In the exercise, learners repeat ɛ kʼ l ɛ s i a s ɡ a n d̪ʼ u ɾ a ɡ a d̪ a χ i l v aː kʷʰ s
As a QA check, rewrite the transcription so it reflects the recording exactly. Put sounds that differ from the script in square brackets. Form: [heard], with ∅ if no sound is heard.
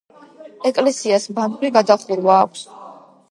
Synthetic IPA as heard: ɛ kʼ l ɛ s i a s [b] a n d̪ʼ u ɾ [i] ɡ a d̪ a χ i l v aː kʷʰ s